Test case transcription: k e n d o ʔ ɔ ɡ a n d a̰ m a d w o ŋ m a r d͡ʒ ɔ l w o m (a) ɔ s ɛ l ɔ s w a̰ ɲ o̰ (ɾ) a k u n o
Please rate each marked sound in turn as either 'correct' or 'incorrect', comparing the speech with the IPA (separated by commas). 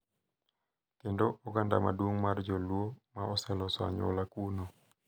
correct, incorrect